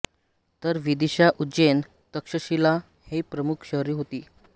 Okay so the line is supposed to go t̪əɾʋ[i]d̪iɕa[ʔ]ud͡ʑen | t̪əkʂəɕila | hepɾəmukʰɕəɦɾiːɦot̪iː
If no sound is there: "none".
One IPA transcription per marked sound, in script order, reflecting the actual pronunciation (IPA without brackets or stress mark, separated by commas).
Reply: i, ʔ